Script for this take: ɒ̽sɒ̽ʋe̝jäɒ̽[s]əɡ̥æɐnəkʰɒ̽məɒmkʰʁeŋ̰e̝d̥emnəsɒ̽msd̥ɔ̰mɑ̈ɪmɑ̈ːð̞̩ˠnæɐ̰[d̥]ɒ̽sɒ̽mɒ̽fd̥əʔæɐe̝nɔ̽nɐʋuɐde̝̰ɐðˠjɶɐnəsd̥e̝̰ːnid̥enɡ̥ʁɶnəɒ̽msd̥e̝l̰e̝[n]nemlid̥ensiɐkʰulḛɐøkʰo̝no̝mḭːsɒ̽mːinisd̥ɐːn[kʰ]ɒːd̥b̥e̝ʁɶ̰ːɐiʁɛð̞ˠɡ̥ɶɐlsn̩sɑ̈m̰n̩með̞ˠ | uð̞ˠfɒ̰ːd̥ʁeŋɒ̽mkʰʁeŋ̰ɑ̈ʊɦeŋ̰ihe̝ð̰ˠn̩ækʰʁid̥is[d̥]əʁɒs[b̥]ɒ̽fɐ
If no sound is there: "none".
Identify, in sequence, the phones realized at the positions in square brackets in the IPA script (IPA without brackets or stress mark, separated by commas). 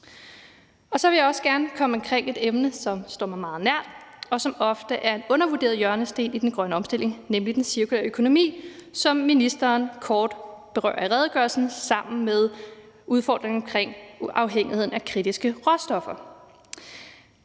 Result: s, d̥, ŋ, kʰ, ɡ̥, d̥